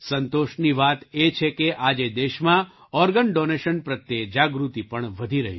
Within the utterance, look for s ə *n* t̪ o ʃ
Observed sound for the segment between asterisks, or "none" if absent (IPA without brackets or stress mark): n